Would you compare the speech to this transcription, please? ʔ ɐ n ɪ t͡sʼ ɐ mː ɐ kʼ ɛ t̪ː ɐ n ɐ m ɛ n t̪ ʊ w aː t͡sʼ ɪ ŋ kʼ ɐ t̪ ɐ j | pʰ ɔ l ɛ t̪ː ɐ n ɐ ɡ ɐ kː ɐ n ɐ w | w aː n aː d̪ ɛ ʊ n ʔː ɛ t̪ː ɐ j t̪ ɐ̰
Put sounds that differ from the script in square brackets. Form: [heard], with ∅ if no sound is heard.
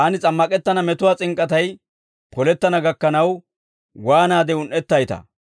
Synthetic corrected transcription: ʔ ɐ n ɪ t͡sʼ ɐ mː ɐ kʼ ɛ t̪ː ɐ n ɐ m ɛ [∅] t̪ ʊ w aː t͡sʼ ɪ ŋ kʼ ɐ t̪ ɐ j | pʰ ɔ l ɛ t̪ː ɐ n ɐ ɡ ɐ kː ɐ n ɐ w | w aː n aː d̪ ɛ ʊ n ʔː ɛ t̪ː ɐ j t̪ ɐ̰